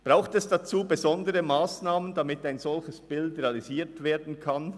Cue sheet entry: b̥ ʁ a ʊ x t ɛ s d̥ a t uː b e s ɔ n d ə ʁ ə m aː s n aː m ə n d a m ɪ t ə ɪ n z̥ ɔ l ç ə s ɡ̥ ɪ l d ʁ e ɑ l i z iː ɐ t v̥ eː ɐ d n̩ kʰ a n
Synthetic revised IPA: b̥ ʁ a ʊ x t ɛ s d̥ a t͡s uː b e z ɔ n d ə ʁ ə m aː s n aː m ə n d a m ɪ t a ɪ n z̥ ɔ l ç ə s b̥ ɪ l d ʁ e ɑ l i z iː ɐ t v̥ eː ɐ d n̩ kʰ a n